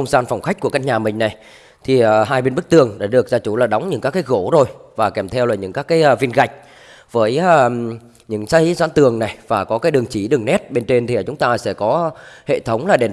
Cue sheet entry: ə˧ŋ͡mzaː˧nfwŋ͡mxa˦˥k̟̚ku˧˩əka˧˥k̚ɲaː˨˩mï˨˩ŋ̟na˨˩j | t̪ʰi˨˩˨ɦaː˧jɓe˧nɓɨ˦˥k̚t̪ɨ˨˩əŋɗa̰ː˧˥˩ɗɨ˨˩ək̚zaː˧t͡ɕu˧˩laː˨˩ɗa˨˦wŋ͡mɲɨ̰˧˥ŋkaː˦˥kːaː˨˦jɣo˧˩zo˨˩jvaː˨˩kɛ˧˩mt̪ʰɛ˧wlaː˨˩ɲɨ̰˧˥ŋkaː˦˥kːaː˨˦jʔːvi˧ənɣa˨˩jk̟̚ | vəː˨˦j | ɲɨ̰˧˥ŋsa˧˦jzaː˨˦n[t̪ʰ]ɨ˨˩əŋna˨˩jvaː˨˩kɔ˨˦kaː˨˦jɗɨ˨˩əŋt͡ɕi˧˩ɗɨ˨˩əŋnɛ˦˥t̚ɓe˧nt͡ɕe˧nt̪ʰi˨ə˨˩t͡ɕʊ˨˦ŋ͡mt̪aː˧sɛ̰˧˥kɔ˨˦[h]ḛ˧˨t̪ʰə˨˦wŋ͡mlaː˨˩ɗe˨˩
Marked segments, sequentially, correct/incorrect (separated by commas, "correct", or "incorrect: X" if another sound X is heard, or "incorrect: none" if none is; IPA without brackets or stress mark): incorrect: t̪, correct